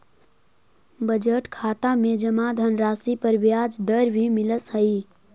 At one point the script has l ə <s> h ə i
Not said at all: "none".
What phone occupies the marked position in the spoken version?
s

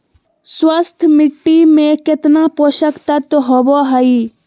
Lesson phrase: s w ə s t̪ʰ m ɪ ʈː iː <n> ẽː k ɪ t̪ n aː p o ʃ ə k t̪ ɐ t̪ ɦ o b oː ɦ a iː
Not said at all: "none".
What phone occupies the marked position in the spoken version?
m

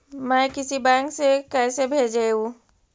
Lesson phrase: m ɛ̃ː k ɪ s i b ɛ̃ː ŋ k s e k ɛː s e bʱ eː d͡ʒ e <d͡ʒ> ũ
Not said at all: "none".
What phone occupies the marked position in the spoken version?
none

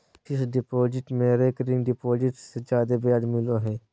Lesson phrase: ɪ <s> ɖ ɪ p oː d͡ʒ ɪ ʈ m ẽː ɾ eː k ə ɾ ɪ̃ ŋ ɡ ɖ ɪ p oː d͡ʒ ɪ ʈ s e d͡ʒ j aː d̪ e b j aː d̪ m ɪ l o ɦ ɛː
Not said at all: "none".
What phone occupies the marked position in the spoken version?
s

